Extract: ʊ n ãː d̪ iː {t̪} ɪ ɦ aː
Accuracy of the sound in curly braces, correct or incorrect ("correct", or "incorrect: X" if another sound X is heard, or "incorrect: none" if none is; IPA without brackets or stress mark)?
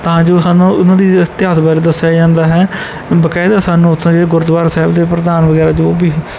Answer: correct